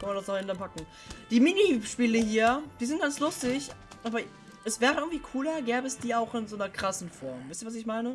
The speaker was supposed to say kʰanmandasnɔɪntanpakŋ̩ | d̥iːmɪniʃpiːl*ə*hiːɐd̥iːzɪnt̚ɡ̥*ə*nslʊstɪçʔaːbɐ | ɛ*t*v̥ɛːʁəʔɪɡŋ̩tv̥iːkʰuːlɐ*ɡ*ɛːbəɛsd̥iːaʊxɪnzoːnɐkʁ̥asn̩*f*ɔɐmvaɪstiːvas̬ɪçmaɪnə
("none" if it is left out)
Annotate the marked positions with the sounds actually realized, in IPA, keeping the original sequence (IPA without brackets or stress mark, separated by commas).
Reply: ə, a, s, ɡ, f